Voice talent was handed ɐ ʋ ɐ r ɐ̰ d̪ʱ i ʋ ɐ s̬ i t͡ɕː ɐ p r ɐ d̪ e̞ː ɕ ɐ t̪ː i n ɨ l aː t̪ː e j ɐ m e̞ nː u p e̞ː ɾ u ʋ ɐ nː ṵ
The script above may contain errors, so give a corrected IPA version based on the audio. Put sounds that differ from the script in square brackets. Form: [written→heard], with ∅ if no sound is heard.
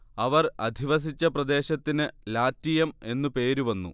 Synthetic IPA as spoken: ɐ ʋ ɐ r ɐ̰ d̪ʱ i ʋ ɐ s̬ i t͡ɕː ɐ p r ɐ d̪ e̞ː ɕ ɐ t̪ː i n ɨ l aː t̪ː [e→i] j ɐ m e̞ nː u p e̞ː ɾ u ʋ ɐ nː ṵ